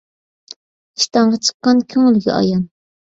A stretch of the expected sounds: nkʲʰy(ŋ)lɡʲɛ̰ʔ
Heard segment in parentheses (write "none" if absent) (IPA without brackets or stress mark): ŋ